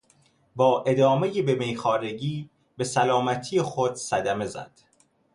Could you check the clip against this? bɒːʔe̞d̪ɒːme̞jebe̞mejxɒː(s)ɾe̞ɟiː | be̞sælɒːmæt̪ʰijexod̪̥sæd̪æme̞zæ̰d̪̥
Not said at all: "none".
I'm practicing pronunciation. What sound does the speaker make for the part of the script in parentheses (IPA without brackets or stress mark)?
none